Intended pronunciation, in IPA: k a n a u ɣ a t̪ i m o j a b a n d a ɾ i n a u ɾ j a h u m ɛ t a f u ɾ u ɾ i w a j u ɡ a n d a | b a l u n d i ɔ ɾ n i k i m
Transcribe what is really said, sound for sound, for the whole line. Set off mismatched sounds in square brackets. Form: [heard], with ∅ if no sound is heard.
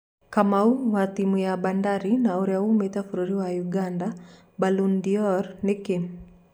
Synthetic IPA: k a [m] a u [w] a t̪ i m [u] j a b a n d a ɾ i n a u ɾ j a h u m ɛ t a f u ɾ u ɾ i w a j u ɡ a n d a | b a l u n d i ɔ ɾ n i k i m